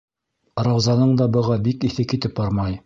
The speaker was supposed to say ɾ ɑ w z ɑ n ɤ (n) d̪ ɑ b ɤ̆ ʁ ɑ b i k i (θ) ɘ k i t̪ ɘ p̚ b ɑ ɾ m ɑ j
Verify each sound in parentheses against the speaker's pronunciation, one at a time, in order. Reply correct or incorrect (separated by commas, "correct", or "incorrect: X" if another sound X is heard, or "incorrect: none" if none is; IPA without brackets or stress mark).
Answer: incorrect: ɴ, correct